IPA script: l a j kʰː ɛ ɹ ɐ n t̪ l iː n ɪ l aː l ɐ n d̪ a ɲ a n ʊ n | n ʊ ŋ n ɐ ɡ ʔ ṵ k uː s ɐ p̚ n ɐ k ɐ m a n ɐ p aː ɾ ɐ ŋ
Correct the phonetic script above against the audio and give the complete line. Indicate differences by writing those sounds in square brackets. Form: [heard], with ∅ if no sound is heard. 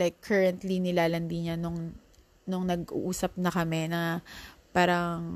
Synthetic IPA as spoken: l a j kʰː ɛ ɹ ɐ n t̪ l [i] n ɪ l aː l ɐ n d̪ [i] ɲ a n ʊ [ŋ] | n ʊ ŋ n ɐ ɡ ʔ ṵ [ʔ] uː s ɐ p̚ n ɐ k ɐ m [ɛ] n ɐ p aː ɾ ɐ ŋ